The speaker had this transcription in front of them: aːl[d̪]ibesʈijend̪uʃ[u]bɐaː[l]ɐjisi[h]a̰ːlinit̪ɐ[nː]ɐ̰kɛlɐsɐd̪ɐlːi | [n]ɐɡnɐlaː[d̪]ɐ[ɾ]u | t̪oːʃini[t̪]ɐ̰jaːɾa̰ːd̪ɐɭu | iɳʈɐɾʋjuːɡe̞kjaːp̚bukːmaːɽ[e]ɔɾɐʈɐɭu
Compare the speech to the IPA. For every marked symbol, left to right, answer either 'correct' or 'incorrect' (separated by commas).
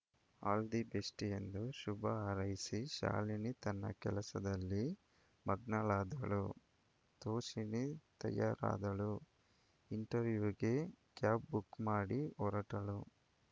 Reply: correct, correct, incorrect, incorrect, correct, incorrect, correct, incorrect, correct, incorrect